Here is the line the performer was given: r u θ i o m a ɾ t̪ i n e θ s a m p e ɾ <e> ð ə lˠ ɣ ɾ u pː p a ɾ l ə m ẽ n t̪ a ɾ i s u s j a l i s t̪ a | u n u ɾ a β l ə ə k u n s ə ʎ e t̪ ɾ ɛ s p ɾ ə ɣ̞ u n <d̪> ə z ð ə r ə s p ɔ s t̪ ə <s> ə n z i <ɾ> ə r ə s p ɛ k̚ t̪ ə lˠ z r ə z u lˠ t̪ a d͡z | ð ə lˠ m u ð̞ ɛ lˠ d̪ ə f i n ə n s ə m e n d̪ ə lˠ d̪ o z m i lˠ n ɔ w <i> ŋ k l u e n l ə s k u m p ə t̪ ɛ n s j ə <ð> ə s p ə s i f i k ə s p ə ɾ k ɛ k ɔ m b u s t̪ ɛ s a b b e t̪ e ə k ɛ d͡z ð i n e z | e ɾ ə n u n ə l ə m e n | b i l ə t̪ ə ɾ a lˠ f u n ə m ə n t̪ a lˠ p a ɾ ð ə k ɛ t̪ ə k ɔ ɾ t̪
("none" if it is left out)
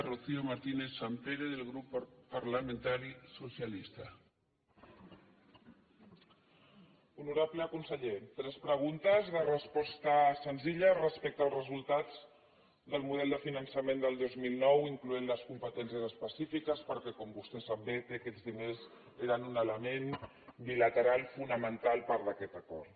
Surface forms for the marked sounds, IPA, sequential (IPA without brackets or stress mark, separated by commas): e, t̪, s, ʎ, i, z